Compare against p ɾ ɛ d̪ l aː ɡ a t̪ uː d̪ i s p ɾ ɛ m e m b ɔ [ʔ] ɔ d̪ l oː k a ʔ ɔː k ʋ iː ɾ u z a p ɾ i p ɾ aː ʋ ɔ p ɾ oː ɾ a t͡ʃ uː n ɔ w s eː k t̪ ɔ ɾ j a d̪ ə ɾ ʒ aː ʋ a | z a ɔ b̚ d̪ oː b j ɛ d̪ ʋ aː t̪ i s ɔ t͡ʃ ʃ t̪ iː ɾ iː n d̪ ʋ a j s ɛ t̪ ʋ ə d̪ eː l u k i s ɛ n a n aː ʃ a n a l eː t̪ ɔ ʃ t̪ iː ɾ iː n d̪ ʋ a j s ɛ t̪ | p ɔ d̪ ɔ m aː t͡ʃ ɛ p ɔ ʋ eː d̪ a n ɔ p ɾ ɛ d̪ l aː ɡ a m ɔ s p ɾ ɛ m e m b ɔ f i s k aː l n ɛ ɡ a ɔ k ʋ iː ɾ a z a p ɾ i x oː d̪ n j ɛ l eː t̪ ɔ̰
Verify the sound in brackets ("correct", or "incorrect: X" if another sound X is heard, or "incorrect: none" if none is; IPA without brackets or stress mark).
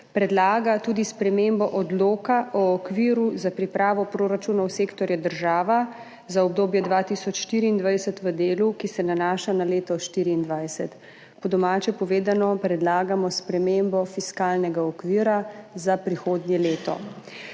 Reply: correct